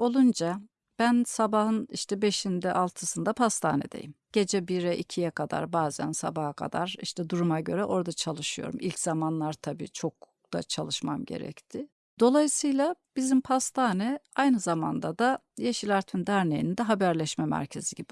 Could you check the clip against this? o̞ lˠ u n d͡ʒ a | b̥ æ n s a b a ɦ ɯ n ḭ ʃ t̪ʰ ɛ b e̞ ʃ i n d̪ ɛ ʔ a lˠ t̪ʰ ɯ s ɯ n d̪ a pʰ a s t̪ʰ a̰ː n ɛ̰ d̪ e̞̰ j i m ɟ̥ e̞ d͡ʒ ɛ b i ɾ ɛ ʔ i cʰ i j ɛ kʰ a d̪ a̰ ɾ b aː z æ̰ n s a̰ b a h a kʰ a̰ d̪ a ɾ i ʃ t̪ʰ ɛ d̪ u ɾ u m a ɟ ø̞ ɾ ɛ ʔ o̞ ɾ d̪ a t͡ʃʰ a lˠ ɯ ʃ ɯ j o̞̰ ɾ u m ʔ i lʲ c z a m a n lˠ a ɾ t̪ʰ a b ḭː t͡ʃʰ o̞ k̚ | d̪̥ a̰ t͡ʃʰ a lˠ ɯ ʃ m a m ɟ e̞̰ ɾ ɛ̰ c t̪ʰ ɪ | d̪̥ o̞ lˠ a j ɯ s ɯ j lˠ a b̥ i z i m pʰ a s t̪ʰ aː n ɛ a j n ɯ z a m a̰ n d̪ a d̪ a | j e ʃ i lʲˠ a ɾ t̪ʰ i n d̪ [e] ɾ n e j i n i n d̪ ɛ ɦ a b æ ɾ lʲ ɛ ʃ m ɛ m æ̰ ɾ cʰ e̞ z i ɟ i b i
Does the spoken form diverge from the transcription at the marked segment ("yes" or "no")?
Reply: yes